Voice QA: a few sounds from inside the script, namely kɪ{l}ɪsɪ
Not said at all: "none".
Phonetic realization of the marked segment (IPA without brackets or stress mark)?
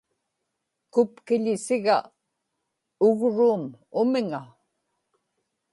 ʎ